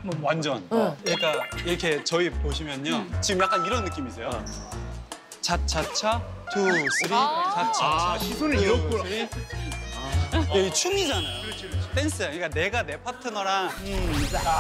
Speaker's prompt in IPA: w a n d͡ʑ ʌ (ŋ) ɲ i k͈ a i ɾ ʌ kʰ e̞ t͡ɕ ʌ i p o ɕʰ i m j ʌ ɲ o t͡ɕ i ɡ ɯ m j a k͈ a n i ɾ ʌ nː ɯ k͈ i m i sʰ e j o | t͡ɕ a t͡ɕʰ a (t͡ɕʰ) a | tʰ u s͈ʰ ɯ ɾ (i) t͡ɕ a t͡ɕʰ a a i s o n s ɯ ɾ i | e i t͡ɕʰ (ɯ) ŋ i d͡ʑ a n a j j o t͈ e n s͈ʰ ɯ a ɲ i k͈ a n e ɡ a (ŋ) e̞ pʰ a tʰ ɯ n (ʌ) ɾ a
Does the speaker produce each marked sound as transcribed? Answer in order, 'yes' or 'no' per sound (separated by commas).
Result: no, yes, yes, no, no, yes